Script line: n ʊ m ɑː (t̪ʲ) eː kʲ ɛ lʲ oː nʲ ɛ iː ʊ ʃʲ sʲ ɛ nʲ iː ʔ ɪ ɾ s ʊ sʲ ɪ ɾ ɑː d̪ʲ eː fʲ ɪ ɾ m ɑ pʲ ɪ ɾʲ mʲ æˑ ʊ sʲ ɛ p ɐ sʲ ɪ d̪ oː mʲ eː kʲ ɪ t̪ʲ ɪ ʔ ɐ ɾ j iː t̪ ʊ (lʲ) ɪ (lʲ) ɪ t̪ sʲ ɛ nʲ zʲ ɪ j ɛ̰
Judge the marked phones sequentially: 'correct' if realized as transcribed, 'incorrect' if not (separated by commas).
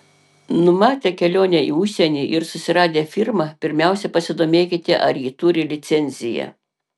correct, incorrect, correct